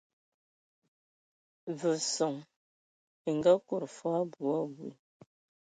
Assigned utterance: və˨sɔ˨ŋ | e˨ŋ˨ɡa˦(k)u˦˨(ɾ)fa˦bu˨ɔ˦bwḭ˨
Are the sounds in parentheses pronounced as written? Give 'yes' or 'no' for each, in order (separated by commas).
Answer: yes, yes